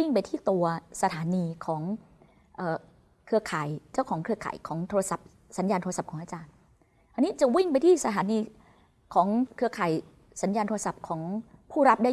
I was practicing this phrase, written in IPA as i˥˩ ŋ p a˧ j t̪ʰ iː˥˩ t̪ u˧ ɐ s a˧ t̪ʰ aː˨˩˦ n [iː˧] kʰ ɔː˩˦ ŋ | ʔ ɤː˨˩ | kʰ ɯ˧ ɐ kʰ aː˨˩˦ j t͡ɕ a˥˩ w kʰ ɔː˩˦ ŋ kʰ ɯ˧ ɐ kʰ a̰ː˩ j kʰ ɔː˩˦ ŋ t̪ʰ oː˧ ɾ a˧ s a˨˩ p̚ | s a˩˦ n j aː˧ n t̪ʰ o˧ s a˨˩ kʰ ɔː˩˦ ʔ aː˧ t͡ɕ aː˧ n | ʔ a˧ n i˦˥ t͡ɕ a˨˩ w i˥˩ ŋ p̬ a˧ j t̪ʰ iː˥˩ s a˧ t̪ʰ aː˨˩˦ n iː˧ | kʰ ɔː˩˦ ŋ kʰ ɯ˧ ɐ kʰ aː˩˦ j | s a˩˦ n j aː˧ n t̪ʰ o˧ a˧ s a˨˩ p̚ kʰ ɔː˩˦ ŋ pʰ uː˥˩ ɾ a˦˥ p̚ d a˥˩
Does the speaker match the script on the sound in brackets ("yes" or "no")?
yes